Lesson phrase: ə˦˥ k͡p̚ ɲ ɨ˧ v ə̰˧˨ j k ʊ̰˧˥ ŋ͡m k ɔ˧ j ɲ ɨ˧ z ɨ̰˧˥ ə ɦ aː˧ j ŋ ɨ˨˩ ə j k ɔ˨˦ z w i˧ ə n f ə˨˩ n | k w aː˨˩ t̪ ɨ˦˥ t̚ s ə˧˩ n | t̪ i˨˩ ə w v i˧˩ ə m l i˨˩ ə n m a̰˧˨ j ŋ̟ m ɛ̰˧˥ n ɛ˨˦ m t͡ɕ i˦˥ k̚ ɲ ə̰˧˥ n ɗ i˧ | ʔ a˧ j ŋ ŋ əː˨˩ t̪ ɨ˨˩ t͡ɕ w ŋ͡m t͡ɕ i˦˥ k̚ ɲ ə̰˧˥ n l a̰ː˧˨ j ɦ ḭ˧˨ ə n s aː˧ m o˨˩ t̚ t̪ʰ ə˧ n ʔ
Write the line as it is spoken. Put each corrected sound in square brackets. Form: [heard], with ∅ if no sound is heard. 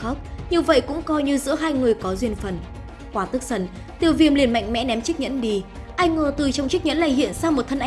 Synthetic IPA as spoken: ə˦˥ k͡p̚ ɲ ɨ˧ v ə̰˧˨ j k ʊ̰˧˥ ŋ͡m k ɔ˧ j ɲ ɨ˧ z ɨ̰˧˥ ə ɦ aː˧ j ŋ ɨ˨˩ ə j k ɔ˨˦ z w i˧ ə n f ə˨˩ n | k w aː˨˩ t̪ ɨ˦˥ [k̚] s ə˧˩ n | t̪ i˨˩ ə w v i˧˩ ə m l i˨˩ ə n m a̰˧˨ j ŋ̟ m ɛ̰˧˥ n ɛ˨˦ m t͡ɕ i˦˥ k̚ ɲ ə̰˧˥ n ɗ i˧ | ʔ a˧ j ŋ ŋ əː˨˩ t̪ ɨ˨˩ t͡ɕ w ŋ͡m t͡ɕ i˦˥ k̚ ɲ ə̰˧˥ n l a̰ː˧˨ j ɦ ḭ˧˨ ə n s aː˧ m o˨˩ t̚ t̪ʰ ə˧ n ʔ